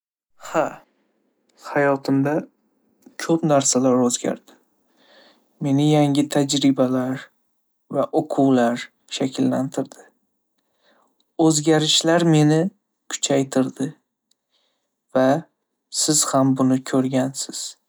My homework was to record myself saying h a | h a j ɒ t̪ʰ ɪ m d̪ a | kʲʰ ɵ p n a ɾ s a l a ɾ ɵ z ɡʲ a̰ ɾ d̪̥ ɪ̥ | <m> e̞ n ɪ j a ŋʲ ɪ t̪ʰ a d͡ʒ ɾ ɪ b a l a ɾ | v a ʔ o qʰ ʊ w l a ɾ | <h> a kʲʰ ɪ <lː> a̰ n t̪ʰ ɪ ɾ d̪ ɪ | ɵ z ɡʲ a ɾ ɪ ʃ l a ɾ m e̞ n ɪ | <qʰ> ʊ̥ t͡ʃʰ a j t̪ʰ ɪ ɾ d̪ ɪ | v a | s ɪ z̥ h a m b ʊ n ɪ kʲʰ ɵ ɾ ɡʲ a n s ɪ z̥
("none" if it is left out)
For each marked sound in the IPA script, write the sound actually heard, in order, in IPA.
m, ʃ, lː, kʰ

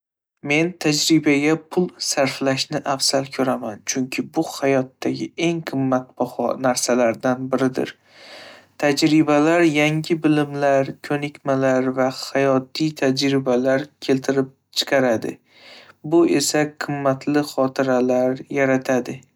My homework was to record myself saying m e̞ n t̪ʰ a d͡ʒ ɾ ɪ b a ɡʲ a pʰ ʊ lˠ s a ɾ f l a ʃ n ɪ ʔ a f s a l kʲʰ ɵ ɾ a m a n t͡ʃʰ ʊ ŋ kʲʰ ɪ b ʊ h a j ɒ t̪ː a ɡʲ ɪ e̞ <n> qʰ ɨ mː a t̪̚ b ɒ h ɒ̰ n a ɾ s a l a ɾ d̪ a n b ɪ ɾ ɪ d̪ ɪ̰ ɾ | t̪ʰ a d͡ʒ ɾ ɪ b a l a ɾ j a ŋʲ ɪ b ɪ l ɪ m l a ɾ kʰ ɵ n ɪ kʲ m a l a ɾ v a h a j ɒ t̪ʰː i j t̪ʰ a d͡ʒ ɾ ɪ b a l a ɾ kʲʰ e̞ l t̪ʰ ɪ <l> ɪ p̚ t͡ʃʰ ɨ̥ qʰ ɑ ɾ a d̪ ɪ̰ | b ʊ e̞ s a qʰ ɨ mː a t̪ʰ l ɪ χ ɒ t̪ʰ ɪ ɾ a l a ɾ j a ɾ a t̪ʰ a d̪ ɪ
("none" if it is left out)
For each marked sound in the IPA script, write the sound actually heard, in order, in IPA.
ŋ, ɾ

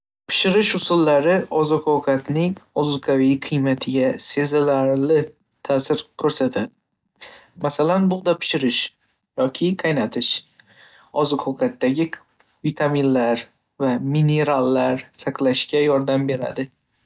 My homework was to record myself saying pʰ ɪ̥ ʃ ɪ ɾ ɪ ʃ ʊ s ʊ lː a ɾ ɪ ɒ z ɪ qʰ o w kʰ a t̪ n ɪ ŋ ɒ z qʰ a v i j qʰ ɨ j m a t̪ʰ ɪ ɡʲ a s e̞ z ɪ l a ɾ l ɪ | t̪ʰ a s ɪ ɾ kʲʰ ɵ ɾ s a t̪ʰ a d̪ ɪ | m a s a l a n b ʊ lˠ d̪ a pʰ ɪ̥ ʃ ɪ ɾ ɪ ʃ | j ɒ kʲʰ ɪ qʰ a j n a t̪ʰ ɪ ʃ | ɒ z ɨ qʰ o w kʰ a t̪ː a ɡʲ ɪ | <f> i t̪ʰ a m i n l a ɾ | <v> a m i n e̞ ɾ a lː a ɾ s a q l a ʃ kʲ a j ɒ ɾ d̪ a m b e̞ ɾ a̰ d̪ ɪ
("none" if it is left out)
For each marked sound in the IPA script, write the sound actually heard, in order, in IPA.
v, v

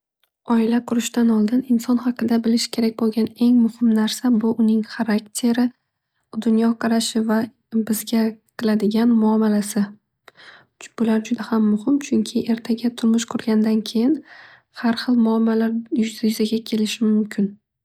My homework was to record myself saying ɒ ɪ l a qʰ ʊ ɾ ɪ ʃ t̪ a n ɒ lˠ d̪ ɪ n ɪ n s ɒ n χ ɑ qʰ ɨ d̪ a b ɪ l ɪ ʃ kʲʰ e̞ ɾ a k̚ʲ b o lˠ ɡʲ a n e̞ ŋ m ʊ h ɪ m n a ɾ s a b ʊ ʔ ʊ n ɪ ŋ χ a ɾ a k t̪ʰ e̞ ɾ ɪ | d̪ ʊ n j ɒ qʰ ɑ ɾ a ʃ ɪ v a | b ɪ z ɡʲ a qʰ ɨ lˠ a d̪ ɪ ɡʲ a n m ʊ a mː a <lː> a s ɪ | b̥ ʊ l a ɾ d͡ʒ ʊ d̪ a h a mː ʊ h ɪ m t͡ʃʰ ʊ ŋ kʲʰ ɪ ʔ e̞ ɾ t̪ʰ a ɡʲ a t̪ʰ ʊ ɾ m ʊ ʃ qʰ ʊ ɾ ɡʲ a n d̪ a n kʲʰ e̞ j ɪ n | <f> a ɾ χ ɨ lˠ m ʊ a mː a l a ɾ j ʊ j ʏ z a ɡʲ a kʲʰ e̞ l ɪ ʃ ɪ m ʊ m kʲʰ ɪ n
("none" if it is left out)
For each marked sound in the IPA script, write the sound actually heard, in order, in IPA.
l, h

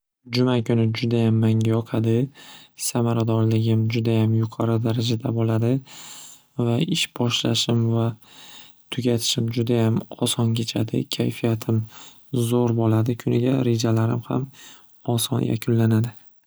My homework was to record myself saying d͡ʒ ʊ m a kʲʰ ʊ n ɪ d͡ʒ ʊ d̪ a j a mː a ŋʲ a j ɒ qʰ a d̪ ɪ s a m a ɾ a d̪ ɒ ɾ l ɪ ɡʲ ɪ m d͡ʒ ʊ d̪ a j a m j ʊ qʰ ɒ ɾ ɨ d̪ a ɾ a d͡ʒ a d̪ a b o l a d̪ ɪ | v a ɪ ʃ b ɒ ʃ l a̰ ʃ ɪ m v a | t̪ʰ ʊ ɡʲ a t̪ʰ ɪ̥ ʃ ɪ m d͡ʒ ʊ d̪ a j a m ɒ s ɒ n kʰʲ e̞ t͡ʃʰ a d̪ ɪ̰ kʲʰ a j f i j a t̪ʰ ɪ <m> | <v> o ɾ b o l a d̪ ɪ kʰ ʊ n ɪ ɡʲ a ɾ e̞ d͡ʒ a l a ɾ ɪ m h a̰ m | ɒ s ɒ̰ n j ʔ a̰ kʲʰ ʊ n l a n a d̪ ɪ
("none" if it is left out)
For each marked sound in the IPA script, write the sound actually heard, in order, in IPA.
m, z

